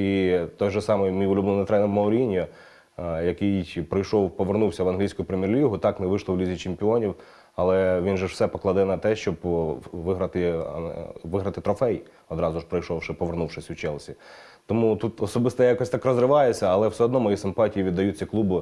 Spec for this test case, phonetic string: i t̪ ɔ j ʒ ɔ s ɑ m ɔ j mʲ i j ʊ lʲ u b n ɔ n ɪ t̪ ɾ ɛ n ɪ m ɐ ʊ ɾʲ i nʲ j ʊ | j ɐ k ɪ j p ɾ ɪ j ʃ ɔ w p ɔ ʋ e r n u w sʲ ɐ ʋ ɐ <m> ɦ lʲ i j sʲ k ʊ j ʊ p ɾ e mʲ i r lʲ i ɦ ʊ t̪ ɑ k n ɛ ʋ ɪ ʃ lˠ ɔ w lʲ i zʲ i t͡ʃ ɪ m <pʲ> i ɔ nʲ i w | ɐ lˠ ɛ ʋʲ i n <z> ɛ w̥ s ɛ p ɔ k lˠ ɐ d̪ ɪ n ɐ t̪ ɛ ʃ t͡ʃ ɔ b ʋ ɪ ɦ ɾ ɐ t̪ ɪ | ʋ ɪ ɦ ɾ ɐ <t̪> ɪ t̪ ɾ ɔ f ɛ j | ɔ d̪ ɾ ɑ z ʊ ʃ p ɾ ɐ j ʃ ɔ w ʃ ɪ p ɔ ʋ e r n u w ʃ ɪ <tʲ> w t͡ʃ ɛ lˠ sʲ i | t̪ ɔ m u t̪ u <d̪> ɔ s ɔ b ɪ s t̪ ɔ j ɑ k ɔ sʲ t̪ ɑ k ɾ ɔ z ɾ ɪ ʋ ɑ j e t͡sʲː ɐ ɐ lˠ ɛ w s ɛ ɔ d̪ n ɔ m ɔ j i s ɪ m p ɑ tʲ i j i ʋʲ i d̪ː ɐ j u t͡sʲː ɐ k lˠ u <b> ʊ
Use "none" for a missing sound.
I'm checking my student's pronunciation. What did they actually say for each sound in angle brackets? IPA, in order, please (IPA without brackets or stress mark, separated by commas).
n, pʲ, ʒ, t̪, sʲ, t̪, b